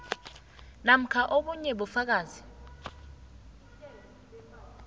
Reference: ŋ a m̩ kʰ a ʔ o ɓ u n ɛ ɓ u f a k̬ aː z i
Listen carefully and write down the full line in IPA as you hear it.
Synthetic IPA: n a m̩ kʰ a ʔ o ɓ u ɲ ɛ ɓ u f a k̬ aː z i